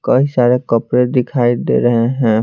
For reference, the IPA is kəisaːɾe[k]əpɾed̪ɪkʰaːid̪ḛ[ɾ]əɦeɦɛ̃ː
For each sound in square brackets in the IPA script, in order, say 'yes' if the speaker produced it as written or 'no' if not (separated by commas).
yes, yes